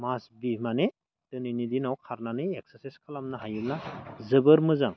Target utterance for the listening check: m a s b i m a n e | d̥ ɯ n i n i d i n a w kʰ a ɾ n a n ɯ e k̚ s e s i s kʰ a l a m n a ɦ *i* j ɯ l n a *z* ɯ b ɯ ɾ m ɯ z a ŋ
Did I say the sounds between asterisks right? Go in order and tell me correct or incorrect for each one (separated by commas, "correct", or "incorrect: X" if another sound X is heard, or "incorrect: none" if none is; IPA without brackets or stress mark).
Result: incorrect: a, correct